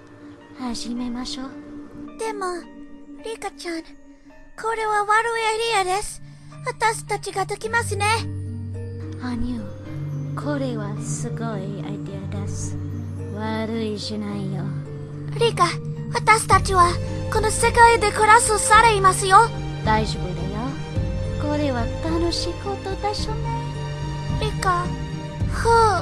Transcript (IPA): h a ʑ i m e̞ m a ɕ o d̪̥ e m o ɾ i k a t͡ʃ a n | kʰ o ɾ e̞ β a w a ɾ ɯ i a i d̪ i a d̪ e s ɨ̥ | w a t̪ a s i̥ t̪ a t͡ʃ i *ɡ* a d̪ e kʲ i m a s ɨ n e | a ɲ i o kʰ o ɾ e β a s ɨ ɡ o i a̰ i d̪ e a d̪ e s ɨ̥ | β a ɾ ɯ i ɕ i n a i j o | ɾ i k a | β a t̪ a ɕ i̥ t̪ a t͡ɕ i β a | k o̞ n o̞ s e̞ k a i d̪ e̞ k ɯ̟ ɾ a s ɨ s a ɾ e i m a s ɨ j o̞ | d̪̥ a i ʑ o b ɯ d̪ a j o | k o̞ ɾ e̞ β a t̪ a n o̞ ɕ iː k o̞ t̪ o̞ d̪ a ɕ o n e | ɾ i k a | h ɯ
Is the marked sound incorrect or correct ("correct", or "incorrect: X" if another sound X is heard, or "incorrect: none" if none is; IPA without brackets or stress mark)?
correct